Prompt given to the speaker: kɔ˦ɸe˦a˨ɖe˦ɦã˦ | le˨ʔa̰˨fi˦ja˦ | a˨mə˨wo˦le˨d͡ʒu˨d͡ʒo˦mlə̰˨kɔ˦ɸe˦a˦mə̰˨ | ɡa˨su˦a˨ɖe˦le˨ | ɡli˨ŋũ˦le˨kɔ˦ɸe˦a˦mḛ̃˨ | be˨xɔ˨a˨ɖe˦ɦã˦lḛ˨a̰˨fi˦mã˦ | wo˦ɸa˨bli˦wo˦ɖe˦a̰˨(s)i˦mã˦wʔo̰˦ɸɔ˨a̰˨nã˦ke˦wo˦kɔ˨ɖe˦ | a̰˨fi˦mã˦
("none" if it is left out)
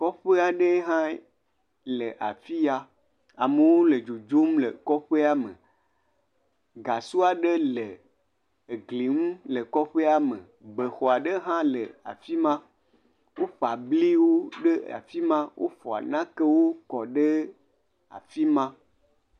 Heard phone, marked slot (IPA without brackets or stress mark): f